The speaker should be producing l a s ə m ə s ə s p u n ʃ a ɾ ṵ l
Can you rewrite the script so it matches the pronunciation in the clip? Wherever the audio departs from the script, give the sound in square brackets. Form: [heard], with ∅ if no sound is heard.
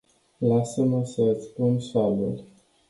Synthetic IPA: l a s ə m ə s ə s p u n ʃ a [l] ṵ l